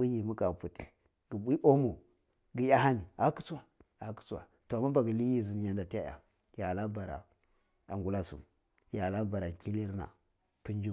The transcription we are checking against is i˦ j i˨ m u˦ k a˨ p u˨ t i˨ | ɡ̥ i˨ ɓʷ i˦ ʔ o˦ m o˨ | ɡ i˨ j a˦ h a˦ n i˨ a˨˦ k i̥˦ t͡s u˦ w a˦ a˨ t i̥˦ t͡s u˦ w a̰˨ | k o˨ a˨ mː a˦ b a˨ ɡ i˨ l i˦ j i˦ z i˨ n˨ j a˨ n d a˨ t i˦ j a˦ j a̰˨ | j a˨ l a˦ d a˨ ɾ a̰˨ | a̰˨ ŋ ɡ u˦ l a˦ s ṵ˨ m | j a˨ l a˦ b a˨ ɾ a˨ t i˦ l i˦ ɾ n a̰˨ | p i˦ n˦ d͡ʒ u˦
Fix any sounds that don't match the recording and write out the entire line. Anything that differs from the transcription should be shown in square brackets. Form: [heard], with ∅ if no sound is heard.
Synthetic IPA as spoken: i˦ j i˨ m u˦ k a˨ p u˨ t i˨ | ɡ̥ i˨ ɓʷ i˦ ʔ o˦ m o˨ | ɡ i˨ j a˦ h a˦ n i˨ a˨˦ k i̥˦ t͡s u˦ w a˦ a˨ [k] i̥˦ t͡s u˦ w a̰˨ | [t] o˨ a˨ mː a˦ b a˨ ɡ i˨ l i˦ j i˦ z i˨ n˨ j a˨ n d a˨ t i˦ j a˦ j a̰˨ | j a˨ l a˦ [b] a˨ ɾ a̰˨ | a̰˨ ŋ ɡ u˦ l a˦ s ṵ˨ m | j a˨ l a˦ b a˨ ɾ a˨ [k] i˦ l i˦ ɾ n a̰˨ | p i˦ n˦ d͡ʒ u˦

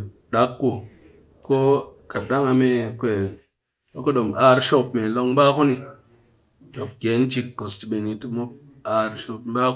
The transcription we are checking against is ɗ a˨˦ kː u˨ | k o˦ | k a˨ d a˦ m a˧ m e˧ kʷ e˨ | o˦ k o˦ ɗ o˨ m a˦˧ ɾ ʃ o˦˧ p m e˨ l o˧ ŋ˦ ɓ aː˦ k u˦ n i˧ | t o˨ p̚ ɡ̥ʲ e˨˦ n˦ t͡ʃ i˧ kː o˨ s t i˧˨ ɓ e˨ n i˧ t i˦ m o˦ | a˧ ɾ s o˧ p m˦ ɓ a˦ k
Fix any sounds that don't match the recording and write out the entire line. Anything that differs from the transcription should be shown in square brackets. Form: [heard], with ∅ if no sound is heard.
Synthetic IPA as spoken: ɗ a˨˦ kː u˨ | k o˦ | k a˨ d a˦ [ŋ] a˧ m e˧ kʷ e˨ | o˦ k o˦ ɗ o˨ m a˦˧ ɾ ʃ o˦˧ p m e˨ l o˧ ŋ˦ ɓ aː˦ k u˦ n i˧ | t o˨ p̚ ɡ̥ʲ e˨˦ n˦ t͡ʃ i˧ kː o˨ s t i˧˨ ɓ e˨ n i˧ t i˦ m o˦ | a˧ ɾ [ʃ] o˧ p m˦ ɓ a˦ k

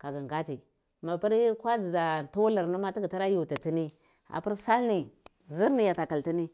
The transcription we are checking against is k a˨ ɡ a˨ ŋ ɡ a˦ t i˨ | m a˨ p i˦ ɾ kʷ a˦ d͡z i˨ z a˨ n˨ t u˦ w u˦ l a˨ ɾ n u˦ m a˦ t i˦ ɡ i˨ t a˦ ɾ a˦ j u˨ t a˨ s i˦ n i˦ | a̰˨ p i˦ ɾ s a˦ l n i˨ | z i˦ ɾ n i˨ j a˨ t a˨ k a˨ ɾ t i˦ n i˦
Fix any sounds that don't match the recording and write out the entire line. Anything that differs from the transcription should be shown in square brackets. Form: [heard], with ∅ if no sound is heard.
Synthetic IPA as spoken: k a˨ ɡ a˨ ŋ ɡ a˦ t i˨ | m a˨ p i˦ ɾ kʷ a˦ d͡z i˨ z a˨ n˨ t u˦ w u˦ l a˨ ɾ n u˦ m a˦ t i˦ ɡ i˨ t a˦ ɾ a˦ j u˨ t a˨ [t] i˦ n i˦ | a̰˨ p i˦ ɾ s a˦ l n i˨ | z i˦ ɾ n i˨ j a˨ t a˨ k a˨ [l] t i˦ n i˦

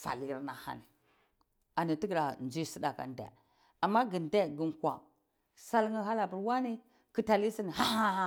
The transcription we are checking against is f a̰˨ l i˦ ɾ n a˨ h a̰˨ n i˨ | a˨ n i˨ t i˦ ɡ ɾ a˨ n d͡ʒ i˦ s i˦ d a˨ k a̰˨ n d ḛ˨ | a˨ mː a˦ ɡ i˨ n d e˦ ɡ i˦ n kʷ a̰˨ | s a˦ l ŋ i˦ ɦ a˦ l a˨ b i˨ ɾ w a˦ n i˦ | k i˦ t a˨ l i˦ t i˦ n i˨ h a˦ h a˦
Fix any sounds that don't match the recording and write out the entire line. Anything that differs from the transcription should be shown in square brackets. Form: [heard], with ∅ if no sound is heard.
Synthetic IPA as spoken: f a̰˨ l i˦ ɾ n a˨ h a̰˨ n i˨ | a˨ n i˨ t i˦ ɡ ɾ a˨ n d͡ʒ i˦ s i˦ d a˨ k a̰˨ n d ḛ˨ | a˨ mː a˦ ɡ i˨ n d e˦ ɡ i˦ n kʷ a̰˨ | s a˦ l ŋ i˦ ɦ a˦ l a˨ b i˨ ɾ w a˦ n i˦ | k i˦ t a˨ l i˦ [s] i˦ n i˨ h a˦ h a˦

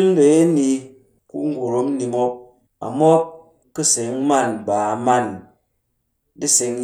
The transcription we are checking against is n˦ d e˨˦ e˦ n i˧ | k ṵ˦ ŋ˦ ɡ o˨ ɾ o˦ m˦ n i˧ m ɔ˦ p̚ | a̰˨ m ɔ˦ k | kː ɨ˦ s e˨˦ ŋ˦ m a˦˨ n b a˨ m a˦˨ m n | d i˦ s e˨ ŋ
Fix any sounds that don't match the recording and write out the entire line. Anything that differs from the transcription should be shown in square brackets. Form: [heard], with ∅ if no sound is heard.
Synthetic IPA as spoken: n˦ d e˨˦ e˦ n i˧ | k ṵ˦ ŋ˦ ɡ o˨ ɾ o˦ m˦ n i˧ m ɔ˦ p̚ | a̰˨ m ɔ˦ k | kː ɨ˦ s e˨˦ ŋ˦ m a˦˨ n b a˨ m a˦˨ [∅] n | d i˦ s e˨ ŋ

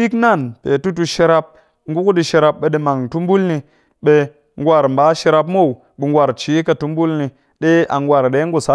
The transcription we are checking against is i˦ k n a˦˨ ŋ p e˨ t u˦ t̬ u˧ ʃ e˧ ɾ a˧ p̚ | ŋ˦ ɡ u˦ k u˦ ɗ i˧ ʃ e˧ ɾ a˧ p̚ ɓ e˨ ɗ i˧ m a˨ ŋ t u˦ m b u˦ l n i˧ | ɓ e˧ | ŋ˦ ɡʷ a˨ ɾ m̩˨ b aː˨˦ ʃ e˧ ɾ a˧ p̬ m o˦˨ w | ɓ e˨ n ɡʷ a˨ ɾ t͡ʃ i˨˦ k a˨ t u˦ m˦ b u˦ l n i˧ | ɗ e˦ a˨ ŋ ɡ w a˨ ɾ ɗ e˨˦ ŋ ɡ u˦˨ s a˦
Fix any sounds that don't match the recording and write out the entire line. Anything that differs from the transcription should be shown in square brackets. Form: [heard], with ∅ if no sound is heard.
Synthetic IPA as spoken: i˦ k n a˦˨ [n] p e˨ t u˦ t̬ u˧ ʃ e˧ ɾ a˧ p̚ | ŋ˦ ɡ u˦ k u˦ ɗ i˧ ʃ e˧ ɾ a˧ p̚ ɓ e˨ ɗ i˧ m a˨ ŋ t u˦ m b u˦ l n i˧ | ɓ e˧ | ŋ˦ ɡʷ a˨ ɾ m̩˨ b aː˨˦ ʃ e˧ ɾ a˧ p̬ m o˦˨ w | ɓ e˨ [ŋ] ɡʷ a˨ ɾ t͡ʃ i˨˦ k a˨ t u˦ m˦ b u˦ l n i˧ | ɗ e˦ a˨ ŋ ɡ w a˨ ɾ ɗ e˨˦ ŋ ɡ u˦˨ s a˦

